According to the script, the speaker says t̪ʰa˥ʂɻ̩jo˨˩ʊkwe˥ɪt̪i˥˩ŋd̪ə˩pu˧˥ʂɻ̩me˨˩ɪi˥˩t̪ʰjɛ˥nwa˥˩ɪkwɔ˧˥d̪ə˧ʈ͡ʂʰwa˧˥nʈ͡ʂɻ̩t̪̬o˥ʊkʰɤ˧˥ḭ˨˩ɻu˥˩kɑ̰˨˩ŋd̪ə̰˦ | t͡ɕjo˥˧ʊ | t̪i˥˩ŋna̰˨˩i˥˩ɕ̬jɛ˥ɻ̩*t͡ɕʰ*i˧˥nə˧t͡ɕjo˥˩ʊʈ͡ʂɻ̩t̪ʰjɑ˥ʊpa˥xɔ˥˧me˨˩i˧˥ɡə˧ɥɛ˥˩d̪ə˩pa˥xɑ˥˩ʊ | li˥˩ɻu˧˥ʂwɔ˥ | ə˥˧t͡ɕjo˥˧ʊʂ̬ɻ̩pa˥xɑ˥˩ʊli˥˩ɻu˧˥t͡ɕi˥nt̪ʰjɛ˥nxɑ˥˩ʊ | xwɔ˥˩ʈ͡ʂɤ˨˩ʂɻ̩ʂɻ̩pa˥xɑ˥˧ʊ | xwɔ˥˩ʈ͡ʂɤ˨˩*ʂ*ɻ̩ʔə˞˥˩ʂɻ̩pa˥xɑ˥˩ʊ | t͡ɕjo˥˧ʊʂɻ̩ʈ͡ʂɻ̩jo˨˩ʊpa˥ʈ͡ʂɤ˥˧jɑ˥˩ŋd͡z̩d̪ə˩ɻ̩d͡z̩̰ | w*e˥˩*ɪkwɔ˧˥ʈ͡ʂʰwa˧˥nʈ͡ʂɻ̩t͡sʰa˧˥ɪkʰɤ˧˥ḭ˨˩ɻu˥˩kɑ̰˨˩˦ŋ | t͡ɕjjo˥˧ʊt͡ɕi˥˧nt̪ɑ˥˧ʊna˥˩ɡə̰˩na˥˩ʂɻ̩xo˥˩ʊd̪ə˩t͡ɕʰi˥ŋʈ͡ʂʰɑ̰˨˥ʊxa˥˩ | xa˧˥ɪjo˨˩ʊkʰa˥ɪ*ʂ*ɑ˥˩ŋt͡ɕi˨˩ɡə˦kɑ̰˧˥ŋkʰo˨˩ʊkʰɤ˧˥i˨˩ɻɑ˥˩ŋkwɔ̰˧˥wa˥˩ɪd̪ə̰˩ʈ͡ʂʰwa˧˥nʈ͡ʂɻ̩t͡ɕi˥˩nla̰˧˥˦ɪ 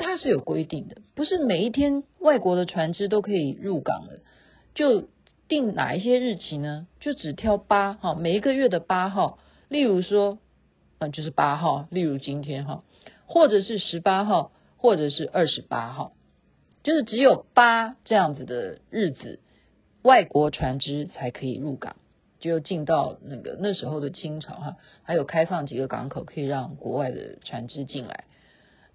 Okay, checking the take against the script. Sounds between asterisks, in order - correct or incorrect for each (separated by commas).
correct, correct, incorrect, incorrect